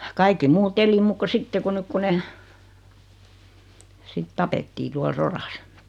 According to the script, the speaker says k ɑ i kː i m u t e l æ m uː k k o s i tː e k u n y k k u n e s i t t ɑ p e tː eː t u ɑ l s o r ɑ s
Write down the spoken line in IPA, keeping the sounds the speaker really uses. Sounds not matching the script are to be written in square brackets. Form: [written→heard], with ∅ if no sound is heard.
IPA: k ɑ i kː i m [u→uː] t e l [æ→i] m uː k k o s i tː e k u n y k k u n e s i t t ɑ p e tː [eː→iː] t u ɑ l s o r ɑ s

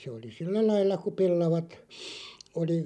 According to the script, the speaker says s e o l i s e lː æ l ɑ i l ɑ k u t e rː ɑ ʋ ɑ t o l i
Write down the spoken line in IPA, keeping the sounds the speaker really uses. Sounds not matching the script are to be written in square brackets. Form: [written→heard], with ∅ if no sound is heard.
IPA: s e o l i s [e→i] lː æ l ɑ i [l→lː] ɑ k u [t→p] e [rː→lː] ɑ ʋ ɑ t o l i

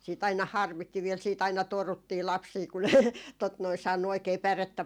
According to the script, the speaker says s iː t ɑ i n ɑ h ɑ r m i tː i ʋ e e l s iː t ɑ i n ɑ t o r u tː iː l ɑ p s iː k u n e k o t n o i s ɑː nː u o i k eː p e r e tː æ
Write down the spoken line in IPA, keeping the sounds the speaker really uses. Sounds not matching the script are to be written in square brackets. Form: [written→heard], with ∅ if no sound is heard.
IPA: s iː t ɑ i n ɑ h ɑ r m i tː i ʋ [e→i] e l s iː t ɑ i n ɑ t o r u tː iː l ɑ p s iː k u n e [k→t] o t n o i s ɑː nː u o i k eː p [e→æ] r e tː æ

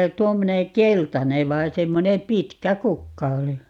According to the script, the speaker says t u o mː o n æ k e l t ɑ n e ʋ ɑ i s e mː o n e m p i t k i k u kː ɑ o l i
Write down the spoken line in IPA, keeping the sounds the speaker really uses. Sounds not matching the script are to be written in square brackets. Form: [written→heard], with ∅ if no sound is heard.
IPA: t u o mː o n [æ→e] k e l t ɑ n e ʋ ɑ i s e mː o n e m p i t k [i→æ] k u kː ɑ o l i

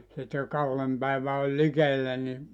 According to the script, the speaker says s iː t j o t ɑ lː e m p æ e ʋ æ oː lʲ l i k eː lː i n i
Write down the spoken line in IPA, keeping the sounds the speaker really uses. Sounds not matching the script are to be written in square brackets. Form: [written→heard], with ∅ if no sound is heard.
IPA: s [iː→i] t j o [t→k] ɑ lː e m p æ [e→i] ʋ æ [oː→o] lʲ l i k [eː→e] lː [i→æ] n i

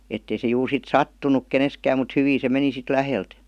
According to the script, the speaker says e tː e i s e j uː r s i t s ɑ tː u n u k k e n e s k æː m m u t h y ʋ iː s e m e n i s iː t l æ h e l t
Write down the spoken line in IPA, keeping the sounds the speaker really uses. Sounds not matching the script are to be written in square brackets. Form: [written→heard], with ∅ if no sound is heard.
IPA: e tː e i s e j uː r s i t s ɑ tː u n u k k e n e s k æː m m u t h y ʋ iː s e m e n i s [iː→i] t l æ h e l t

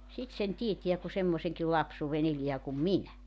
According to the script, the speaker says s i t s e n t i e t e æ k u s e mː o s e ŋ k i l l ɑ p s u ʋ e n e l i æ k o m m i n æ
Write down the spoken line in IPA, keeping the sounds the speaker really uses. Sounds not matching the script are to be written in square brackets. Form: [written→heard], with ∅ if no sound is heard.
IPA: s i t s e n t i e t [e→i] æ k u s e mː o s e ŋ k i l l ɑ p s [u→uː] ʋ e n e l i æ k [o→u] m m i n æ

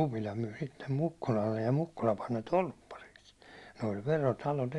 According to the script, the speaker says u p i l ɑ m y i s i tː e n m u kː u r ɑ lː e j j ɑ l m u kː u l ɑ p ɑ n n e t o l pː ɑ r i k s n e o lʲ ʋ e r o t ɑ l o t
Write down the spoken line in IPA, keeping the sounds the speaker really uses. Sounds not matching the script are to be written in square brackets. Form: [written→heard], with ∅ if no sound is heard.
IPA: u p i l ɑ m y i s i tː e [n→m] m u kː u [r→l] ɑ lː e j j ɑ [l→∅] m u kː u l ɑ p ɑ n n e t o l pː ɑ r i k s n e o lʲ ʋ e r o t ɑ l o t

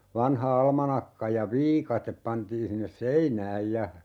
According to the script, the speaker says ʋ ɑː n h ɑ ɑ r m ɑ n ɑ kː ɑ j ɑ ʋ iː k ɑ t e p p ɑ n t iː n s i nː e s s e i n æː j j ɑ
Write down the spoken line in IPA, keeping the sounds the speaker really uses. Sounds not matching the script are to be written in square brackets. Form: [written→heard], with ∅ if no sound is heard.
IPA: ʋ [ɑː→ɑ] n h ɑ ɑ [r→l] m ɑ n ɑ kː ɑ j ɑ ʋ iː k ɑ t e p p ɑ n t iː n s i nː e s s e i n æː j j ɑ

